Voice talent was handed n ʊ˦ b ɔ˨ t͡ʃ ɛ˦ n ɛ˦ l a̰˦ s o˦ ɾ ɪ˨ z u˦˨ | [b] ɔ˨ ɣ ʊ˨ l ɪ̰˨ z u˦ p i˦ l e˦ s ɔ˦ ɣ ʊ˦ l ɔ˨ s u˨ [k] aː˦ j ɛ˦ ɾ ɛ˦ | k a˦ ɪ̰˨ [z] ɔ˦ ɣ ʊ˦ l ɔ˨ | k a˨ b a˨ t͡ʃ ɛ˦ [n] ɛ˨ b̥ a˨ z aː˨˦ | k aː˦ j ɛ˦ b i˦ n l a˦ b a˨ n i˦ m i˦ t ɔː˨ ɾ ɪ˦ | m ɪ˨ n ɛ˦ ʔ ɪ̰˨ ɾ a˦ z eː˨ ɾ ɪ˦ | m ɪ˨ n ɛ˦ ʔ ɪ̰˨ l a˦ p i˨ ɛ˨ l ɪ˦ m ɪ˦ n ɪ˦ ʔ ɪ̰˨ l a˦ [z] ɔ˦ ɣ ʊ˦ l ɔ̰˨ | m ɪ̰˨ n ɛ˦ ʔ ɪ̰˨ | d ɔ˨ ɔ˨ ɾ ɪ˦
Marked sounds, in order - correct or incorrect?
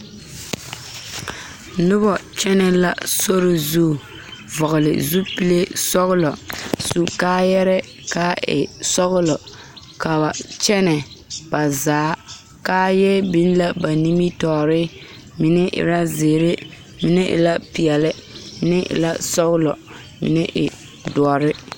incorrect, correct, incorrect, correct, incorrect

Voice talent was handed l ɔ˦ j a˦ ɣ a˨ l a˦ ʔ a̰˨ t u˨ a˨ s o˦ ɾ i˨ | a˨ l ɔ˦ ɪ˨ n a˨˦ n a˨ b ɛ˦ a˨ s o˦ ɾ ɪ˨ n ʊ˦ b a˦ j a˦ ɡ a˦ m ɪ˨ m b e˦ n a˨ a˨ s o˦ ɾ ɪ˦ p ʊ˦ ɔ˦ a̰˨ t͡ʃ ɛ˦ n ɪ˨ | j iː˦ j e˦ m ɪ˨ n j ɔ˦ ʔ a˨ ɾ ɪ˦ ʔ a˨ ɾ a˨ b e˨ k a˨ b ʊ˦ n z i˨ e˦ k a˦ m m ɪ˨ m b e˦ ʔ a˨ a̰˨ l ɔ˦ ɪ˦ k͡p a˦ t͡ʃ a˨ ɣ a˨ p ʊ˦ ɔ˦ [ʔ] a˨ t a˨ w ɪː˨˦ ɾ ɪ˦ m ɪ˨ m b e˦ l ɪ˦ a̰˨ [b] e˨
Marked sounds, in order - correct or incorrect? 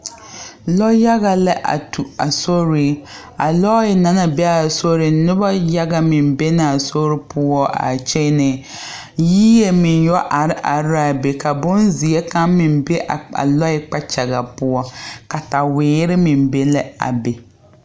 incorrect, correct

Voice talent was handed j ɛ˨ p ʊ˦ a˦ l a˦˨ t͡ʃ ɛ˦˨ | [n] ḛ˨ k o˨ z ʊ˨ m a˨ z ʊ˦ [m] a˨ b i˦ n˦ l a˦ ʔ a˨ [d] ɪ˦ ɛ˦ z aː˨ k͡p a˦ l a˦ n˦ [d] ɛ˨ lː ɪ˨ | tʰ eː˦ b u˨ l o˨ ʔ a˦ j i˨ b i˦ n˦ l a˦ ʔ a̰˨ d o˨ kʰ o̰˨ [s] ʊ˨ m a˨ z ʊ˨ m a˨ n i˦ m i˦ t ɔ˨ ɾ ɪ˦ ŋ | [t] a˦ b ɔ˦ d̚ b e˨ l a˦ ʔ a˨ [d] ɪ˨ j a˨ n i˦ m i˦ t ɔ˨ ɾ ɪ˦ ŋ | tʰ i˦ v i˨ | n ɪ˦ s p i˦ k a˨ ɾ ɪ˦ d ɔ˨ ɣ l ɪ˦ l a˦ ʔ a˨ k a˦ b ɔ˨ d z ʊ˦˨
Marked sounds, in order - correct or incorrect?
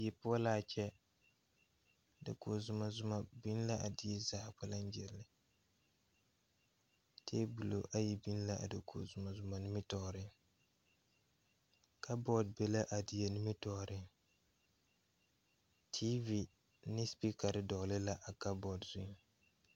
incorrect, correct, correct, incorrect, incorrect, incorrect, correct

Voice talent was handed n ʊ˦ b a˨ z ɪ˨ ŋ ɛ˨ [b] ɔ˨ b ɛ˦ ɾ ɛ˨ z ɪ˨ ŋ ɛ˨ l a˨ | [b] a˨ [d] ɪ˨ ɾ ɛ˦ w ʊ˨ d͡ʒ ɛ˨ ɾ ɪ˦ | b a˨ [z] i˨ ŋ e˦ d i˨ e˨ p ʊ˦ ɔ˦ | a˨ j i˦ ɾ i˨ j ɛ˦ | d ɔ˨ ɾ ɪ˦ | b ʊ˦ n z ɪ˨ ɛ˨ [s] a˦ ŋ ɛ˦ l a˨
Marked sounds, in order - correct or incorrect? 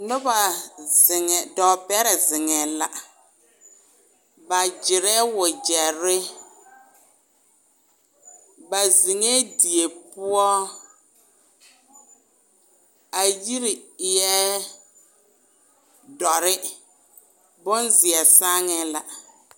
incorrect, correct, incorrect, correct, correct

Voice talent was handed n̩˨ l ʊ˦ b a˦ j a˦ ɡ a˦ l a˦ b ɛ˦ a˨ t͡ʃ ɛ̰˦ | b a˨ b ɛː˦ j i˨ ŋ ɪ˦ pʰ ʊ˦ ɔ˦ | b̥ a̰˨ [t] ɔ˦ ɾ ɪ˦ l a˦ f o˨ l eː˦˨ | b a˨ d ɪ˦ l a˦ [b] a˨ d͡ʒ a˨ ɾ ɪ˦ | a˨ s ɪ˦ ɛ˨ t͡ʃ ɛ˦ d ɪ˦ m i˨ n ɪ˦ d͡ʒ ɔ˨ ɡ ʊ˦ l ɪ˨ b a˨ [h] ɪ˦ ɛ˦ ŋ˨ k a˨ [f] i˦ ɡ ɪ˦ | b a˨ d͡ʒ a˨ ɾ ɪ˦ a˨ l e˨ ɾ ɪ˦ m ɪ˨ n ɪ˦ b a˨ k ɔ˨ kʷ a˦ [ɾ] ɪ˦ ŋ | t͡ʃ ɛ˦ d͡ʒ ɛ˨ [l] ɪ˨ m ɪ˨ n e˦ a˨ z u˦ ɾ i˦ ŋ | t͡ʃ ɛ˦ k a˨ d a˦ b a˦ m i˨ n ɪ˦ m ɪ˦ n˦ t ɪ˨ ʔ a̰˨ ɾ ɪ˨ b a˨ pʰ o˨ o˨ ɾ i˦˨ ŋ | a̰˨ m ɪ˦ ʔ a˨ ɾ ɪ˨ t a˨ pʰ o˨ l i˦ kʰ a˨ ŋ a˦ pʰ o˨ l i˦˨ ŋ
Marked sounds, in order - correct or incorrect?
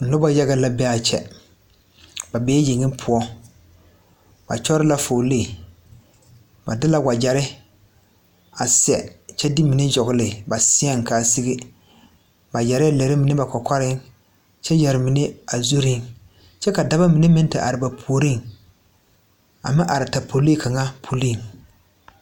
incorrect, incorrect, incorrect, incorrect, correct, incorrect

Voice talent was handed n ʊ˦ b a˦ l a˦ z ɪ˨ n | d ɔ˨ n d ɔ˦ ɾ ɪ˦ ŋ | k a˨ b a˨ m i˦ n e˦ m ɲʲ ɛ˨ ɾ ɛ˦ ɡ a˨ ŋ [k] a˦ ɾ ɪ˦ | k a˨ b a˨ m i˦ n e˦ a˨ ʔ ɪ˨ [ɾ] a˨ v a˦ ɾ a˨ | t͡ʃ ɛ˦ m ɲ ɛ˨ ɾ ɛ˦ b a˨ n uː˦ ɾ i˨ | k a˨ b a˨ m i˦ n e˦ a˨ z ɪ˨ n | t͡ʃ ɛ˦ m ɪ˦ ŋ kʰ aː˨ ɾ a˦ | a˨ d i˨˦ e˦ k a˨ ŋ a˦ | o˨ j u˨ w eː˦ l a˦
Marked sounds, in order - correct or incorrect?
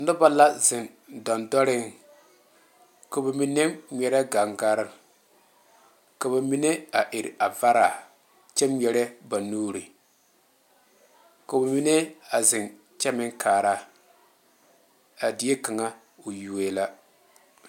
incorrect, correct

